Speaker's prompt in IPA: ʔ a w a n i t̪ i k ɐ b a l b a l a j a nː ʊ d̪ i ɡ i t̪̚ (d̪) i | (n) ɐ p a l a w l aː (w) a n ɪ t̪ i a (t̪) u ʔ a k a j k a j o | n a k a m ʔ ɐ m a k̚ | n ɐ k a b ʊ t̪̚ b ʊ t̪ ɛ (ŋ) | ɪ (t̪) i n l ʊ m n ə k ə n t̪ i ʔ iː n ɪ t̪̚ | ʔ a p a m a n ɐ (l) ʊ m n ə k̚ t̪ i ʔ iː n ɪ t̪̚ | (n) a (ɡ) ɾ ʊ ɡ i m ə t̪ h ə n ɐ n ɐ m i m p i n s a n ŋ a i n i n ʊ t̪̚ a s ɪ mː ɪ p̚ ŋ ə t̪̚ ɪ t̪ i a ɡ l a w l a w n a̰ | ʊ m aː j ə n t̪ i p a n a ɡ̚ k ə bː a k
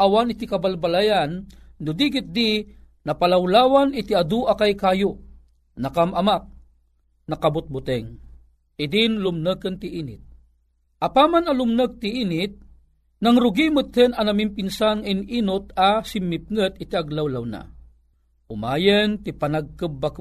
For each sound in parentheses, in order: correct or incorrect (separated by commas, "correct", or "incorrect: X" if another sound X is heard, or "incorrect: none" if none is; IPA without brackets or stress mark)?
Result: correct, correct, correct, incorrect: d̪, correct, incorrect: d̪, correct, correct, incorrect: ŋ